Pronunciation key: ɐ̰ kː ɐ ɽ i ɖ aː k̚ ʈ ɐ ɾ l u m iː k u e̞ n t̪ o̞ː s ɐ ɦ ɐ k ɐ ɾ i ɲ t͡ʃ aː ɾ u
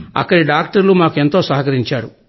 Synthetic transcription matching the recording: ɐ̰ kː ɐ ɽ i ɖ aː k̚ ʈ ɐ ɾ l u m aː k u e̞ n t̪ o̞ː s ɐ ɦ ɐ k ɐ ɾ i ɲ t͡ʃ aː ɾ u